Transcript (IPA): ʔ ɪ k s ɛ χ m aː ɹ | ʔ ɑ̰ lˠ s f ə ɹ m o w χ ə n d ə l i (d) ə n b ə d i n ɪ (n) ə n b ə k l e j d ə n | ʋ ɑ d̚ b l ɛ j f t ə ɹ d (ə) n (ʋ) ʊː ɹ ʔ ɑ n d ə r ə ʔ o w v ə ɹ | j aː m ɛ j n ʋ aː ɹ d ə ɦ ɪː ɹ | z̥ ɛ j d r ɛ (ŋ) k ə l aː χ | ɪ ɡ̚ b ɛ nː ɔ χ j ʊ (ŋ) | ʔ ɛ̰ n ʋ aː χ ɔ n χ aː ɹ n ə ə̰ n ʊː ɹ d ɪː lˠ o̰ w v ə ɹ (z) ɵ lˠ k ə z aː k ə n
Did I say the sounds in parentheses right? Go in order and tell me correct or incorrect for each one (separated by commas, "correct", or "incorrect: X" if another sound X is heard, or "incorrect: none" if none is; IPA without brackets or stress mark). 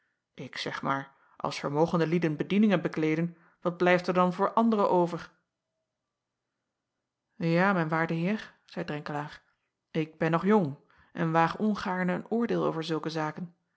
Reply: correct, incorrect: ŋ, incorrect: ɑ, incorrect: v, correct, correct, correct